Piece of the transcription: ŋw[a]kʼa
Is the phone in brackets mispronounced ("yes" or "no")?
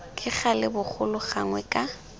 yes